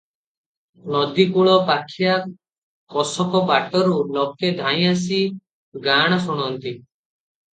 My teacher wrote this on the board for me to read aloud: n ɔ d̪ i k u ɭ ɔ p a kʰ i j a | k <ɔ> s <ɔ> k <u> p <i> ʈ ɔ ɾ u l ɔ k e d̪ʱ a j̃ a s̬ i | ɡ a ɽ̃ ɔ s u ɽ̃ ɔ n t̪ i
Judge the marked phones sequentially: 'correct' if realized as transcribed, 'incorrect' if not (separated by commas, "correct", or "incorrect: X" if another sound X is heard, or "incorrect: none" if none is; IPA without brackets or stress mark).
correct, correct, incorrect: ɔ, incorrect: a